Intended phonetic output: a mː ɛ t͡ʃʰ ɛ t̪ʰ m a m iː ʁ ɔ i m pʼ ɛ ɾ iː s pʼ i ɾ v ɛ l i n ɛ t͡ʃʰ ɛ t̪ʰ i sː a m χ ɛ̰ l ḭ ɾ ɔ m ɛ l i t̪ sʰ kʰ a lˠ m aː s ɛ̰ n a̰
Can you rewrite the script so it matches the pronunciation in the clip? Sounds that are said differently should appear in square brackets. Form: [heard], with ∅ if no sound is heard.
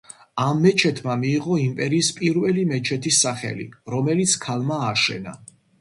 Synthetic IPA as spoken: a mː ɛ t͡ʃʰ ɛ t̪ʰ m a m iː ʁ ɔ i m pʼ ɛ ɾ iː s pʼ i ɾ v ɛ l i [m] ɛ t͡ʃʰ ɛ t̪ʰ i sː a [∅] χ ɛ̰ l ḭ ɾ ɔ m ɛ l i t̪ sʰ kʰ a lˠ m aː [ʃ] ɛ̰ n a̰